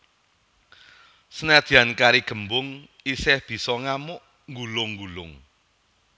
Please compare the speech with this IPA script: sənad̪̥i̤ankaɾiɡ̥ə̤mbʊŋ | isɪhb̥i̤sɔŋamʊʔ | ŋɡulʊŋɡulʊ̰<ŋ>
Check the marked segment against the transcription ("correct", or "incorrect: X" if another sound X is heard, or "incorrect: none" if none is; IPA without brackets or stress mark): correct